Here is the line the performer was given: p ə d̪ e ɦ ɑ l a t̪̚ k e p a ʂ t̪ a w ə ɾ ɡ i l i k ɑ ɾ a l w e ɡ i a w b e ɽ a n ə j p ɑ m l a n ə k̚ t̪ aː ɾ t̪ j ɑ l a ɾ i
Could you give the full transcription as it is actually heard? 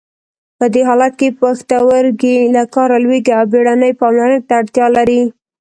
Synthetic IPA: p ə d̪ e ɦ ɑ l a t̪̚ k e p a x t̪ a w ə ɾ ɡ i l a k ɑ ɾ a l w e ɡ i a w b e ɽ a n ə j p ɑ m l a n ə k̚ t̪ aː ɽ t̪ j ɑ l a ɾ i